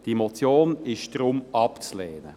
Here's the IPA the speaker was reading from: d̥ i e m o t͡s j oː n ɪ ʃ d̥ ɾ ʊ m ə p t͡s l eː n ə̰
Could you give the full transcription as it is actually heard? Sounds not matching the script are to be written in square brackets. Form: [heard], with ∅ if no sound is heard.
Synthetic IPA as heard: d̥ i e m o t͡s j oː n ɪ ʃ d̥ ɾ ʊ m [ɑ] p t͡s l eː n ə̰

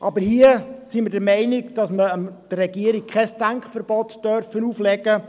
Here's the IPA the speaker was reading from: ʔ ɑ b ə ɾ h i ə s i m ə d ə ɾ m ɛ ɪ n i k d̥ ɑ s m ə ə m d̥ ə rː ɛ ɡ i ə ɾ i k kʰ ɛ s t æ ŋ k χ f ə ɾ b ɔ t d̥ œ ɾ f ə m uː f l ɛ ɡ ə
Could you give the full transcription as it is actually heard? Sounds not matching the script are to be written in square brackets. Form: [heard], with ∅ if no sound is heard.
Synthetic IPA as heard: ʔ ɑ b ə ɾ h i ə s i m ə d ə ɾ m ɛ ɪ n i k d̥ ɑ s m ə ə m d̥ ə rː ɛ ɡ i ə ɾ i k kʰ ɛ s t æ ŋ k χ f ə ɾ b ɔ t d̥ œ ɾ f ə [n] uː f l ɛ ɡ ə

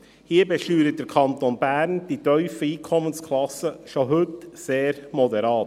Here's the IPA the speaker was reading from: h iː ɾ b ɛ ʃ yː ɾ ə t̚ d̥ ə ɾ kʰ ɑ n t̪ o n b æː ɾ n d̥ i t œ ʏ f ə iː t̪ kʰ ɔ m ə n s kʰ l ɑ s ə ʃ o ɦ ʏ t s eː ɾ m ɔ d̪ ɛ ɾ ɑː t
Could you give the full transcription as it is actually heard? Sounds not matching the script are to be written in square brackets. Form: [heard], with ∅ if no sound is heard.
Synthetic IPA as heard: h iː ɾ b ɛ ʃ yː ɾ ə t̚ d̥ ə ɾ kʰ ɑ n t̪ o n b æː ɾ n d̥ i t œ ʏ f ə iː [∅] kʰ ɔ m ə n s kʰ l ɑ s ə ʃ o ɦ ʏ t s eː ɾ m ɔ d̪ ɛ ɾ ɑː t

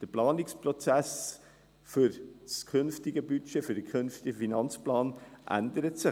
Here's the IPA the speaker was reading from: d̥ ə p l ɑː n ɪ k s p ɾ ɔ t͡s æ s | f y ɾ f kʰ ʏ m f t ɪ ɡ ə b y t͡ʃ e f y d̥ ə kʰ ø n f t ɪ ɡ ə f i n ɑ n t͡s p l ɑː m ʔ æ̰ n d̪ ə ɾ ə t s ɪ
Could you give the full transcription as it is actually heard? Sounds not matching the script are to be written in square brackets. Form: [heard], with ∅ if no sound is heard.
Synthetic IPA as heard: d̥ ə p l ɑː n ɪ k s p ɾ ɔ t͡s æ s | f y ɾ [s] kʰ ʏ [n] f t ɪ ɡ ə b y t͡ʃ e f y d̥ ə kʰ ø n f t ɪ ɡ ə f i n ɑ n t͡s p l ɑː [n] ʔ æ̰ n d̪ ə ɾ ə t s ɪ

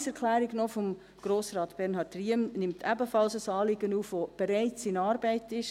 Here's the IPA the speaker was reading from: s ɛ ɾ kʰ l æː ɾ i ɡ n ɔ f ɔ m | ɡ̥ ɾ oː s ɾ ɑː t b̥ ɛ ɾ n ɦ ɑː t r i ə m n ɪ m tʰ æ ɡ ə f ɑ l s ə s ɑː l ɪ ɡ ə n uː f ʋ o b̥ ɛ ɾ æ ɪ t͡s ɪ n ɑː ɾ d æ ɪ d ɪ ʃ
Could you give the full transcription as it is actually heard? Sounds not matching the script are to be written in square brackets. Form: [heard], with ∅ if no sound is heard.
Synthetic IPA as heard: s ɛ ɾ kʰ l æː ɾ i ɡ n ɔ f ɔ m | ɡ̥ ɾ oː s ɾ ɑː t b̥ ɛ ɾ n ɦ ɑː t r i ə m n ɪ m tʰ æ [b] ə f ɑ l s ə s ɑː l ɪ ɡ ə n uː f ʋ o b̥ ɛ ɾ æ ɪ t͡s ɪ n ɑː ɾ [b] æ ɪ [t] ɪ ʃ

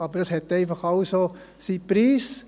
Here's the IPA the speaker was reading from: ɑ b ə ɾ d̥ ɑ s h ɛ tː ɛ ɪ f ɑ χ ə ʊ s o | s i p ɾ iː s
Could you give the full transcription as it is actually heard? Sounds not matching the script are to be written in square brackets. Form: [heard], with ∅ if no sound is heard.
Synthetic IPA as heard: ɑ b ə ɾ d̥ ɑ s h ɛ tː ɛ ɪ f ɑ χ [ɑ] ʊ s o | s i p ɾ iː s

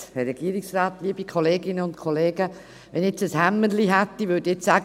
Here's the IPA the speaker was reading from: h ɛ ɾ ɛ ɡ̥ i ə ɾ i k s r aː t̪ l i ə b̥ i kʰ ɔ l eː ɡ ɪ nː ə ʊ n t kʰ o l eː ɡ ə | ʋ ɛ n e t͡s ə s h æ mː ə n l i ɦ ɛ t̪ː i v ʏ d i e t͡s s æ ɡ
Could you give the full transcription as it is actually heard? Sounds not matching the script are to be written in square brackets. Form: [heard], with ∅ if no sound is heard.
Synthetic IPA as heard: h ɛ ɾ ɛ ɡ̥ i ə ɾ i k s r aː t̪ l i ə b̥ i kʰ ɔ l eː ɡ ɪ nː ə ʊ n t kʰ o l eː ɡ ə | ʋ ɛ n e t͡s ə s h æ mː ə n l i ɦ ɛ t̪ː i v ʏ d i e t͡s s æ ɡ

